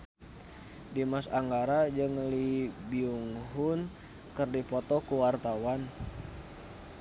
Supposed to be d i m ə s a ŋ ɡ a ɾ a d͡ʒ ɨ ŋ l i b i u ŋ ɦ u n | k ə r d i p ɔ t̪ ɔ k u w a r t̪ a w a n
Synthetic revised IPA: d i m a s a ŋ ɡ a ɾ a d͡ʒ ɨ ŋ l i b i u ŋ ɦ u n | k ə r d i p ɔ t̪ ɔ k u w a r t̪ a w a n